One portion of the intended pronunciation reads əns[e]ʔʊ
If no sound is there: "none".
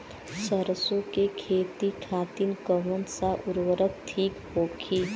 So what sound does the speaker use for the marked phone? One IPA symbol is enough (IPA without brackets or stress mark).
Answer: a